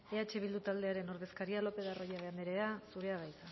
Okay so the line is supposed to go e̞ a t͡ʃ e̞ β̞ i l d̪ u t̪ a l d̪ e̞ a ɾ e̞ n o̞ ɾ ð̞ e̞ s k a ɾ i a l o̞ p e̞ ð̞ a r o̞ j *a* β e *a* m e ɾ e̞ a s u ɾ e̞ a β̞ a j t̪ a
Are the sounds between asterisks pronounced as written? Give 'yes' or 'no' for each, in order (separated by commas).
yes, yes